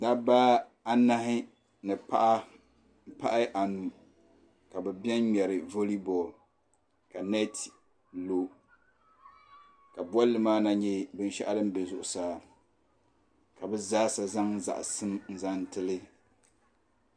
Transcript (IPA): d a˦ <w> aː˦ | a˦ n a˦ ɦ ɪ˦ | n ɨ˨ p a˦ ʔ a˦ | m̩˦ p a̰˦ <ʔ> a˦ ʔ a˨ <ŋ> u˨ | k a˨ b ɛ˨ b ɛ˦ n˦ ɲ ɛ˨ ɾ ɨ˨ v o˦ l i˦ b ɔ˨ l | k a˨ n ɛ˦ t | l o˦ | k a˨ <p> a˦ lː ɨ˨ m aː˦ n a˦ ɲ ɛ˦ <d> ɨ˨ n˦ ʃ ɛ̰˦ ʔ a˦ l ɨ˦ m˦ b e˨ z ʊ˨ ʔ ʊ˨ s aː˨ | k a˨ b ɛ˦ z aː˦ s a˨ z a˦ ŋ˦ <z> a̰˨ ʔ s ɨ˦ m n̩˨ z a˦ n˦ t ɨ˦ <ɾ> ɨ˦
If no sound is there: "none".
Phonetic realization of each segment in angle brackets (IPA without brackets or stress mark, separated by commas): b, ʔ, n, b, b, z, l